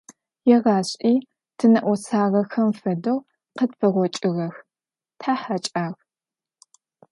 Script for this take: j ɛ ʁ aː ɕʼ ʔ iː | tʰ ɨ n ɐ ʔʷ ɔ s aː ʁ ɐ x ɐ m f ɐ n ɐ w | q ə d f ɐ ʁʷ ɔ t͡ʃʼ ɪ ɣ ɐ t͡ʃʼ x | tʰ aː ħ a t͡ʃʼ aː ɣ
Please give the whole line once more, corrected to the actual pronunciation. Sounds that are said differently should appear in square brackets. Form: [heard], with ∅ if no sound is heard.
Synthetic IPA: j ɛ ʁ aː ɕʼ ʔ iː | tʰ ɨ n ɐ ʔʷ ɔ s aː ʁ ɐ x ɐ m f ɐ [d] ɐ w | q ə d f ɐ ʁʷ ɔ t͡ʃʼ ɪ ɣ ɐ [∅] x | tʰ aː ħ a t͡ʃʼ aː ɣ